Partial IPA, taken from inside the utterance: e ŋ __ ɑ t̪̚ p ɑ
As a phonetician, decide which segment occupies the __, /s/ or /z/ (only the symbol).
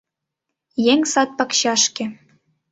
s